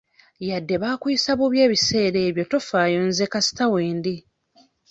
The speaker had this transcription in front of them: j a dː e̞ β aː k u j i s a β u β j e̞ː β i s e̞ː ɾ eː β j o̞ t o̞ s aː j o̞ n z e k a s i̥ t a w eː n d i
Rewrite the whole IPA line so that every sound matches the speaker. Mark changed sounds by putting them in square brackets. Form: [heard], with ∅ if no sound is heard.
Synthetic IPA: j a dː e̞ β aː k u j i s a β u β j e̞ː β i s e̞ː ɾ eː β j o̞ t o̞ [f] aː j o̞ n z e k a s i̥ t a w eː n d i